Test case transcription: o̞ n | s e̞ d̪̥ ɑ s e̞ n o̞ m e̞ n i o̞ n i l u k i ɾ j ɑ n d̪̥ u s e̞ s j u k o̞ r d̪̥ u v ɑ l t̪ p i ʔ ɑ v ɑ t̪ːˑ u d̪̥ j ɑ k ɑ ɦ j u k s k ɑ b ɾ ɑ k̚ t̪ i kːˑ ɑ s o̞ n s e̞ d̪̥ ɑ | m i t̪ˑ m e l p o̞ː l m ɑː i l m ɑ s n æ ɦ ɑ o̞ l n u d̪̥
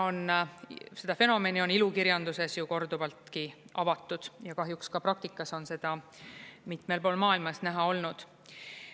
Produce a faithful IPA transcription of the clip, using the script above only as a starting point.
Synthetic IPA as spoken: o̞ n | s e̞ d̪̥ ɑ f e̞ n o̞ m e̞ n i o̞ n i l u k i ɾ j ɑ n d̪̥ u s e̞ s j u k o̞ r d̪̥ u v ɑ l t̪ k i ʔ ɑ v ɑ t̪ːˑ u d̪̥ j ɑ k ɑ ɦ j u k s k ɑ p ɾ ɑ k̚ t̪ i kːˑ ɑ s o̞ n s e̞ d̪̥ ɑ | m i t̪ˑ m e l p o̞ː l m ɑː i l m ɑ s n æ ɦ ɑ o̞ l n u d̪̥